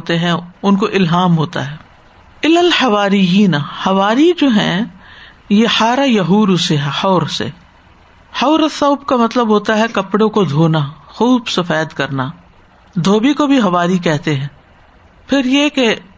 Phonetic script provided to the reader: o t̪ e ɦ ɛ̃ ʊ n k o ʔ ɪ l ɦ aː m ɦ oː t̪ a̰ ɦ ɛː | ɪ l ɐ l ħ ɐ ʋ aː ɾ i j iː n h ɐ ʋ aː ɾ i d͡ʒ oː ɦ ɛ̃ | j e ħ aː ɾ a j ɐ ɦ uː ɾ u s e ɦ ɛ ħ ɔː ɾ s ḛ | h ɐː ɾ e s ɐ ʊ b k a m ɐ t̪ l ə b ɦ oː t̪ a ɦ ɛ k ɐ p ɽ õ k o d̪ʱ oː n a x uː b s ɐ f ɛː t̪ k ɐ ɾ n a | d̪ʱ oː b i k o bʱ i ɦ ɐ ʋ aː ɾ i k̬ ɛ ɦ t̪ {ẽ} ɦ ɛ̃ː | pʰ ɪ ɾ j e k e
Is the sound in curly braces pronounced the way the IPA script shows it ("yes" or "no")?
no